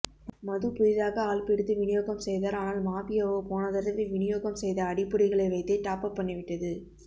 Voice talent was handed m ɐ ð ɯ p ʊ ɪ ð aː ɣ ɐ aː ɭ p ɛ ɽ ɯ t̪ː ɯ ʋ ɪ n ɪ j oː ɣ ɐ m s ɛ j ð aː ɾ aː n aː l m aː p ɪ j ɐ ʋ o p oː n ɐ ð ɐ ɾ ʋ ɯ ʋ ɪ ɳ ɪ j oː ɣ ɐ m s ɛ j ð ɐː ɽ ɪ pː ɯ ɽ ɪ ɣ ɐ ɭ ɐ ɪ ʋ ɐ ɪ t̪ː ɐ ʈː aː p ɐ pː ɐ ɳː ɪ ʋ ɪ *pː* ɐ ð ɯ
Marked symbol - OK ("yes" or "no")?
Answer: no